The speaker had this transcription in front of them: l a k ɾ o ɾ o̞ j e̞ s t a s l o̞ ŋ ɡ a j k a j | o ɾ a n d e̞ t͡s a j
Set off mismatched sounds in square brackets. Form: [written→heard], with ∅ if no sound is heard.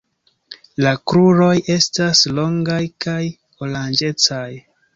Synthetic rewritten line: l a k ɾ [o→u] ɾ o̞ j e̞ s t a s l o̞ ŋ ɡ a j k a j | o [ɾ→l] a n [d→d͡ʒ] e̞ t͡s a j